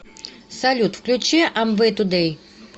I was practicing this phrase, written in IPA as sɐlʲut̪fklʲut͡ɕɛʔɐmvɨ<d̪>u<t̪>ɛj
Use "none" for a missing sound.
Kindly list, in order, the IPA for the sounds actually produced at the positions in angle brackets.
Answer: t̪, d̪

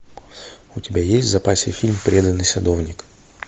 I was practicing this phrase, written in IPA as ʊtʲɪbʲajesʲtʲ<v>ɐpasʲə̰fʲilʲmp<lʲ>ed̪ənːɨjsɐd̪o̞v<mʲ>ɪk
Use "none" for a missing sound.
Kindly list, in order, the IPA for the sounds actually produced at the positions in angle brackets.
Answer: z, ɾʲ, nʲ

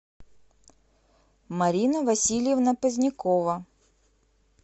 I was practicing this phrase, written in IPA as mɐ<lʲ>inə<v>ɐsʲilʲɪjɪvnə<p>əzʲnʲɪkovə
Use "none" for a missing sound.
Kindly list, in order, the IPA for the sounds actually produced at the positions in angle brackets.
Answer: ɾʲ, v, p

